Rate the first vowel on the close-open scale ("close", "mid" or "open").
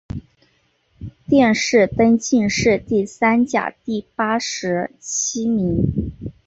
mid